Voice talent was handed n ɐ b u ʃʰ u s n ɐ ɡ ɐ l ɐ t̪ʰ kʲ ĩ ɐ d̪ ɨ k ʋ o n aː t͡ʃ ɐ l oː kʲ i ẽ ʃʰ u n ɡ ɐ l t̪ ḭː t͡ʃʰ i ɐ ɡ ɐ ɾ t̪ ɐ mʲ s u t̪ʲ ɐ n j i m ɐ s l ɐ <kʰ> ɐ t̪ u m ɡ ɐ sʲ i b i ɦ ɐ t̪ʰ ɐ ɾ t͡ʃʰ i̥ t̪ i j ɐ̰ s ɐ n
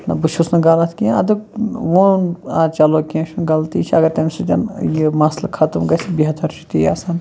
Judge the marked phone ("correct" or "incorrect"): correct